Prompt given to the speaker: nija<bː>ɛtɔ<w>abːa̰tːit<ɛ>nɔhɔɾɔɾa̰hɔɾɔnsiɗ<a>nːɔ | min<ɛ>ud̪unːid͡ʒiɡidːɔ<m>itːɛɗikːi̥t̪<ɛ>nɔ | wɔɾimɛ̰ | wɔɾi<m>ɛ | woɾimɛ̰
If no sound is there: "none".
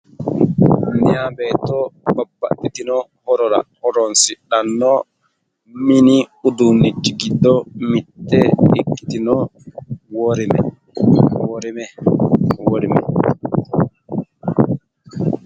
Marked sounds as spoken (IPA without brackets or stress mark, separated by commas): b, b, i, a, i, m, i, m